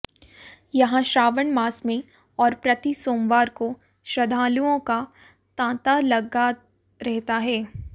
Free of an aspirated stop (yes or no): yes